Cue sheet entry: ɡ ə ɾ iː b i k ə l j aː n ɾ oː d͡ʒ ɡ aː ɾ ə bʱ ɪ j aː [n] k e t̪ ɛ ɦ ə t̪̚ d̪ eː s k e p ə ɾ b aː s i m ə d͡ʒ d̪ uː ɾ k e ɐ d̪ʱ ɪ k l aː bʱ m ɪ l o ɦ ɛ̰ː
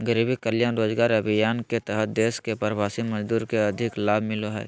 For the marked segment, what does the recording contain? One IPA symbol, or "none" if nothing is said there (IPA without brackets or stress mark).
n